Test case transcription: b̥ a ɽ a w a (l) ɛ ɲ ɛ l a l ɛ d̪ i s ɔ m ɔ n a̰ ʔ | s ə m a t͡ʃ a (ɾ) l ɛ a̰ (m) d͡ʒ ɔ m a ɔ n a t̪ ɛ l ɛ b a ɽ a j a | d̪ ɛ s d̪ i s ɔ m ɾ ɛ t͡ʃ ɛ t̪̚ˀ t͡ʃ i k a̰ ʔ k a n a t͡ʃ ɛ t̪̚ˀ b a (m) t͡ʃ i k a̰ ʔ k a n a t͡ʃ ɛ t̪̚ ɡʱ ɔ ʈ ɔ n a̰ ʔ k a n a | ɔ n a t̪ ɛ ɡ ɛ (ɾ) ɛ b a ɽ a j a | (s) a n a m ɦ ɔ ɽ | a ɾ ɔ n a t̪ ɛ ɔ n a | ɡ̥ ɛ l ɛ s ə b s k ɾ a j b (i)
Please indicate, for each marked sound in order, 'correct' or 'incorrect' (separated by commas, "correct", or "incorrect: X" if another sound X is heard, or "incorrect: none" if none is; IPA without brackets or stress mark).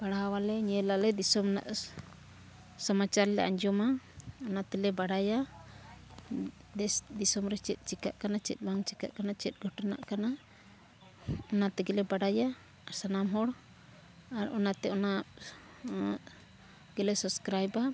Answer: correct, correct, incorrect: ɲ, incorrect: ŋ, incorrect: l, correct, incorrect: a